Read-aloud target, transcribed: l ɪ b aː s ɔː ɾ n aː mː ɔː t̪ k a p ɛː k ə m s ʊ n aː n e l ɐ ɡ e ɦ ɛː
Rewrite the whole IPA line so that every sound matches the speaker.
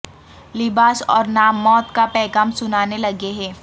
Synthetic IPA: l ɪ b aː s ɔː ɾ n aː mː ɔː t̪ k a p ɛː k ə m s ʊ n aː n e l ɐ ɡ e ɦ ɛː